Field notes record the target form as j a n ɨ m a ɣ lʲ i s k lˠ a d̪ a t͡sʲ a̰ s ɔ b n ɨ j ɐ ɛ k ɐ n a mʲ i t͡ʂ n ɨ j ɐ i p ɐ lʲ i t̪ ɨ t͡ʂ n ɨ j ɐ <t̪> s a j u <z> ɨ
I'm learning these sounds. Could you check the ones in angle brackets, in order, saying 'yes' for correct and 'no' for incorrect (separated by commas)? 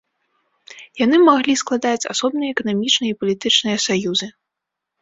no, yes